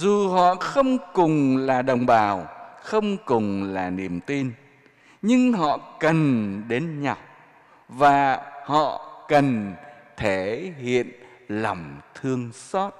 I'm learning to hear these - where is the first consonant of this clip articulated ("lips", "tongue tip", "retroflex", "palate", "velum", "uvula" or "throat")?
tongue tip